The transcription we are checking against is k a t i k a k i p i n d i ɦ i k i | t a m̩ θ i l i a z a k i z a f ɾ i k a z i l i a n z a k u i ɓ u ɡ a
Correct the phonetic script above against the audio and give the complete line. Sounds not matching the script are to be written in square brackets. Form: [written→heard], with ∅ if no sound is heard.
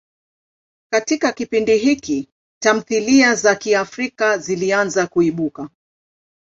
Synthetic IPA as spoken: k a t i k a k i p i n d i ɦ i k i | t a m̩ θ i l i a z a k i [z→∅] a f ɾ i k a z i l i a n z a k u i ɓ u [ɡ→k] a